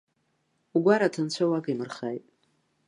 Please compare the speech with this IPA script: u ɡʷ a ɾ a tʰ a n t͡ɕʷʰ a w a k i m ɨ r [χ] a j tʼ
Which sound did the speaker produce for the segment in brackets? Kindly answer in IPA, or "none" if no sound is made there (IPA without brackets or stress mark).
χ